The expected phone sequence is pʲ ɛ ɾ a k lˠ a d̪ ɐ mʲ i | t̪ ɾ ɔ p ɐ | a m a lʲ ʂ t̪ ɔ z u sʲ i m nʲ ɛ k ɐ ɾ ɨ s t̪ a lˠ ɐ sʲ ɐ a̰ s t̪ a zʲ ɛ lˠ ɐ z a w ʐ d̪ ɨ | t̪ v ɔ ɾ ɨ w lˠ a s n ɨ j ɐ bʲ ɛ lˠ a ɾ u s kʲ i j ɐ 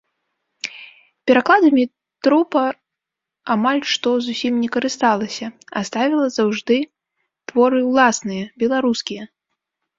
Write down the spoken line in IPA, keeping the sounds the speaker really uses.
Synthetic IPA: pʲ ɛ ɾ a k lˠ a d̪ ɐ mʲ i | t̪ ɾ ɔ p ɐ | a m a lʲ ʂ t̪ ɔ z u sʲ i m nʲ ɛ k ɐ ɾ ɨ s t̪ a lˠ ɐ sʲ ɐ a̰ s t̪ a vʲ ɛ lˠ ɐ z a w ʐ d̪ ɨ | t̪ v ɔ ɾ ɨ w lˠ a s n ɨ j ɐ bʲ ɛ lˠ a ɾ u s kʲ i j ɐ

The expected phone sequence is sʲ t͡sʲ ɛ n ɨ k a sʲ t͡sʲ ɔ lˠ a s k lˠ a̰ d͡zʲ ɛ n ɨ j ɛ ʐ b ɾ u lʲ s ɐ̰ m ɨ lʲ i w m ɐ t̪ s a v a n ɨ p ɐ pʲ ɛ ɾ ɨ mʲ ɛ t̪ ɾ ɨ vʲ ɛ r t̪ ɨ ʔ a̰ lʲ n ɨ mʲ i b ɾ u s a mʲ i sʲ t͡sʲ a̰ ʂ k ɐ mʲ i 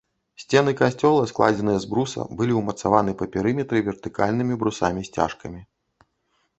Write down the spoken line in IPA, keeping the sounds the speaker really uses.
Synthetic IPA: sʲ t͡sʲ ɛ n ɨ k a sʲ t͡sʲ ɔ lˠ ɐ s k lˠ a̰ d͡zʲ ɛ n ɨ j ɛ z b ɾ u s ɐ̰ b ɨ lʲ i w m ɐ t̪ s a v a n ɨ p ɐ pʲ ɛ ɾ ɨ mʲ ɛ t̪ ɾ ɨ vʲ ɛ r t̪ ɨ k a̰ lʲ n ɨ mʲ i b ɾ u s a mʲ i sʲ t͡sʲ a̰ ʂ k ɐ mʲ i

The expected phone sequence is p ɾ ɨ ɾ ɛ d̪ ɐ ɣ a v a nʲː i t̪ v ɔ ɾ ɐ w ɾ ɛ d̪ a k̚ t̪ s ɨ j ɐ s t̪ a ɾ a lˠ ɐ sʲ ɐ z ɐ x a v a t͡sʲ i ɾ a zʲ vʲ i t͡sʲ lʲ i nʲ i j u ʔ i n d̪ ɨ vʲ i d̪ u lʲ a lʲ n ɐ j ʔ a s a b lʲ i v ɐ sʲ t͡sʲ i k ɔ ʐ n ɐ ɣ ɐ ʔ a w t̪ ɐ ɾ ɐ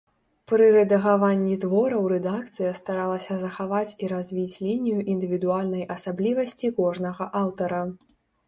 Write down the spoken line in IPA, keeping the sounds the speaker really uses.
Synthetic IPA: p ɾ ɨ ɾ ɛ d̪ ɐ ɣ a v a nʲː i t̪ v ɔ ɾ ɐ w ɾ ɛ d̪ a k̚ t̪ s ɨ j ɐ s t̪ a ɾ a lˠ ɐ sʲ ɐ z ɐ x a v a t͡sʲ i ɾ a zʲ vʲ i t͡sʲ lʲ i nʲ i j u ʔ i n d̪ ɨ vʲ i d̪ u a lʲ n ɐ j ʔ ɐ s a b lʲ i v ɐ sʲ t͡sʲ i k ɔ ʐ n ɐ ɣ ɐ ʔ a w t̪ ɐ ɾ ɐ

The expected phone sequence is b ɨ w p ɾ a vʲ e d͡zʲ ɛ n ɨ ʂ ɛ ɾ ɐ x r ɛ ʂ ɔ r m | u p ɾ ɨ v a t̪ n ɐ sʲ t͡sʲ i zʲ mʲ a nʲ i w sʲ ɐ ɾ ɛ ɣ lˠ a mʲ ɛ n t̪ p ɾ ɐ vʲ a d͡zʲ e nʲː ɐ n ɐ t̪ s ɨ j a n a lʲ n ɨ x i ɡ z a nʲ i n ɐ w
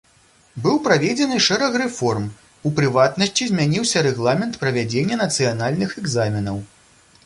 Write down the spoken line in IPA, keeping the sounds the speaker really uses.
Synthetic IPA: b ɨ w p ɾ a vʲ e d͡zʲ ɛ n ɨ ʂ ɛ ɾ ɐ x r ɛ f ɔ r m | u p ɾ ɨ v a t̪ n ɐ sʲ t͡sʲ i zʲ mʲ a nʲ i w sʲ ɐ ɾ ɛ ɣ lˠ a mʲ ɛ n t̪ p ɾ ɐ vʲ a d͡zʲ e nʲː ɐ n ɐ t̪ s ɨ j a n a lʲ n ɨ x ɛ ɡ z a mʲ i n ɐ w

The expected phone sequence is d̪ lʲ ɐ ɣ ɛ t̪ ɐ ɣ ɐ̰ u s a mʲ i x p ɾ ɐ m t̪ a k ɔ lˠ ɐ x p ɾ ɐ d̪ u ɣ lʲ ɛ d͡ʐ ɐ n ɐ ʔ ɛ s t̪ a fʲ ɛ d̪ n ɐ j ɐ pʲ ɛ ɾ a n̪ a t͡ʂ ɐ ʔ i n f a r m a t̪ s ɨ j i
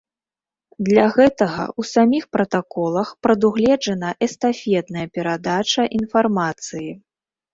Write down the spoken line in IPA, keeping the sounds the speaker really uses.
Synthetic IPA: d̪ lʲ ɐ ɣ ɛ t̪ ɐ ɣ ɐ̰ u s a mʲ i x p ɾ ɐ t̪ a k ɔ lˠ ɐ x p ɾ ɐ d̪ u ɣ lʲ ɛ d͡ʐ ɐ n ɐ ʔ ɛ s t̪ a fʲ ɛ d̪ n ɐ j ɐ pʲ ɛ ɾ a d̪ a t͡ʂ ɐ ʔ i n f a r m a t̪ s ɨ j i

